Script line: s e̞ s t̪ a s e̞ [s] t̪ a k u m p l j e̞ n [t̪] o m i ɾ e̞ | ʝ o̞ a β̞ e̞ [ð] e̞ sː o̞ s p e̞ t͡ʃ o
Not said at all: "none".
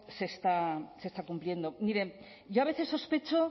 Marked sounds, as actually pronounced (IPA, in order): s, d̪, θ

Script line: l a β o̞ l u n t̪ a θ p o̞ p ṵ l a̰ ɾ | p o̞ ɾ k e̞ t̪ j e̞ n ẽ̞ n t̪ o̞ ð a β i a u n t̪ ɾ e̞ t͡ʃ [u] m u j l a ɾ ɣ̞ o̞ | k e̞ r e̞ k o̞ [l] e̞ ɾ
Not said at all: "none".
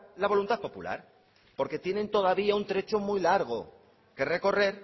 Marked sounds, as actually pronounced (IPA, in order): o, r

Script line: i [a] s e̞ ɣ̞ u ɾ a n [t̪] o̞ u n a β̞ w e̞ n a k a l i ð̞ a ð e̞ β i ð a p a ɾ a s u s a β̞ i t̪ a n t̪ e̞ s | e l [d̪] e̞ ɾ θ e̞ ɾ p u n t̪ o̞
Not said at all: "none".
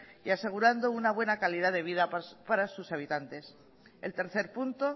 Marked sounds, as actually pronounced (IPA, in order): a, d̪, t̪

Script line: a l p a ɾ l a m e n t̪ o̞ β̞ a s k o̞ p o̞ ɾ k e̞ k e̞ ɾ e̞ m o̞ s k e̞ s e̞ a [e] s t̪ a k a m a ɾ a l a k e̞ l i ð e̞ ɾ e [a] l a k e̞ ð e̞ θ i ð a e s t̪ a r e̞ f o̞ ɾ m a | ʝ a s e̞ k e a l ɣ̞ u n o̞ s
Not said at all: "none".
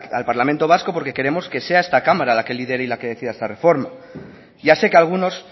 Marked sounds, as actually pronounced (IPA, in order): e, i

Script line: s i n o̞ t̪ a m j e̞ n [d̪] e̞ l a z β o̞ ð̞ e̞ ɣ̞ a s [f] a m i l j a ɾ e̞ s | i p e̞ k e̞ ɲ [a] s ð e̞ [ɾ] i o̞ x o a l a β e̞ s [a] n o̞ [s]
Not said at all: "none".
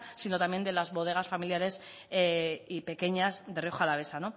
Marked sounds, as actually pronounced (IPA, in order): d̪, f, a, r, a, none

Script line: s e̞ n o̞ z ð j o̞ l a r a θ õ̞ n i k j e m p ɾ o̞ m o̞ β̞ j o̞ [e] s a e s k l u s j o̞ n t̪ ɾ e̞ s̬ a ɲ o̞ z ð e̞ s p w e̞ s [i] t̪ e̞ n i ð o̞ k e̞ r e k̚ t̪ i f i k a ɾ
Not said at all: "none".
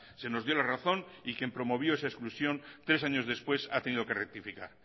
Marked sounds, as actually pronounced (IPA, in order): e, a

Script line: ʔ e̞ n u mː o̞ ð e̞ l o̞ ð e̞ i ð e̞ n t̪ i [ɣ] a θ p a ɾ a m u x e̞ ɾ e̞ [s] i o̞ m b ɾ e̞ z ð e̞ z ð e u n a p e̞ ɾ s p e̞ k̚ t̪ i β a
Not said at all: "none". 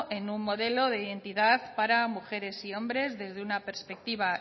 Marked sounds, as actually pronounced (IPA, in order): ð, s

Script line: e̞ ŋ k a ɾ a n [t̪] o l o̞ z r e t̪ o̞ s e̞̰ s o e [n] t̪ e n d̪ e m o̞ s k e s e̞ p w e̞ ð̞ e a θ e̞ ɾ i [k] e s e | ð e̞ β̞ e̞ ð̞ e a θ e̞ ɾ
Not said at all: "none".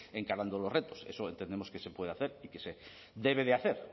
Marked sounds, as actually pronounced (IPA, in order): d̪, n, k

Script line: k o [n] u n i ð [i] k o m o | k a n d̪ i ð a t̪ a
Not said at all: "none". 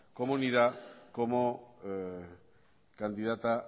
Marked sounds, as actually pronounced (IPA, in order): m, a

